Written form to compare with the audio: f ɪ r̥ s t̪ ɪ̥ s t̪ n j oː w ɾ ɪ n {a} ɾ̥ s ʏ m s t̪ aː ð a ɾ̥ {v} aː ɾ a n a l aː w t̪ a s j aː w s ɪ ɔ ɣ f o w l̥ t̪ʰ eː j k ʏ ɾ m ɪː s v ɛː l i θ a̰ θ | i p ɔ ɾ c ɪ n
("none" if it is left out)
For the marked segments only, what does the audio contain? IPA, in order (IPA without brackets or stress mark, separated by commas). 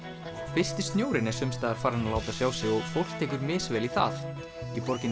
ɛ, f